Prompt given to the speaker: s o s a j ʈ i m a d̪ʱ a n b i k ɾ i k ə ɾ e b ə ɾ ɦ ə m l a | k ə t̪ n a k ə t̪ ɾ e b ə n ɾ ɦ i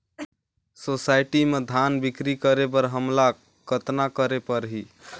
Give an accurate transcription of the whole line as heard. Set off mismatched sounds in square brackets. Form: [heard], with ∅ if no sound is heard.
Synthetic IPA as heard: s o s a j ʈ i m [e] d̪ʱ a n b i k ɾ i k ə ɾ e b ə ɾ ɦ ə m l a | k ə t̪ n a k ə [∅] ɾ e [p] ə [∅] ɾ ɦ i